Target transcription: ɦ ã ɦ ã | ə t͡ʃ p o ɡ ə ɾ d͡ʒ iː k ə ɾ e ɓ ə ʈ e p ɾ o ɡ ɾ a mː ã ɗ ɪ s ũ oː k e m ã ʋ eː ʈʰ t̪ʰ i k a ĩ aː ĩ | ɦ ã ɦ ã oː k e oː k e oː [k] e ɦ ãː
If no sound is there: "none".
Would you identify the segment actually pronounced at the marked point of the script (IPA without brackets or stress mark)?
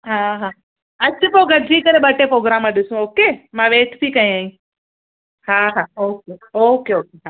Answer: k